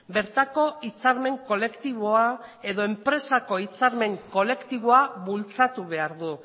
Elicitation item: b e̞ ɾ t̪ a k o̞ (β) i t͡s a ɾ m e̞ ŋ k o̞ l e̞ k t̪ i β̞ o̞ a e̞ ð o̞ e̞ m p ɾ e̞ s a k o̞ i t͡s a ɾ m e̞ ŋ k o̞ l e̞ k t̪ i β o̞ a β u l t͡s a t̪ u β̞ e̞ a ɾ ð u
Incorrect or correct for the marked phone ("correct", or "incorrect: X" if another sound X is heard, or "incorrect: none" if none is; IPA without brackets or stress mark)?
incorrect: none